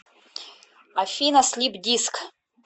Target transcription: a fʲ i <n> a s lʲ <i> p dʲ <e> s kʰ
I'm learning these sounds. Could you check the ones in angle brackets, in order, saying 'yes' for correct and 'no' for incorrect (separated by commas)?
yes, yes, no